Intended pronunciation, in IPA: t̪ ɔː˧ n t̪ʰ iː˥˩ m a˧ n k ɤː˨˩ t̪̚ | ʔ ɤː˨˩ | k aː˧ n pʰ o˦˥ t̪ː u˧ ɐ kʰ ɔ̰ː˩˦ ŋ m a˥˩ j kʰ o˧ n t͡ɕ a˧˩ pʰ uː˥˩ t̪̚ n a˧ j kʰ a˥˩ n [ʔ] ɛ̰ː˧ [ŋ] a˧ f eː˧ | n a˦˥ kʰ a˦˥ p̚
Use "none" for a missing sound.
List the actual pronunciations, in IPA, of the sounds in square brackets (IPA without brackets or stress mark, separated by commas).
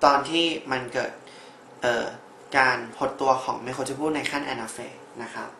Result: ʔ, n